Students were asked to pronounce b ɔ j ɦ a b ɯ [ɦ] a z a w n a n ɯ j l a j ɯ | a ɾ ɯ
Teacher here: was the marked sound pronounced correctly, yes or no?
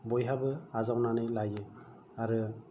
no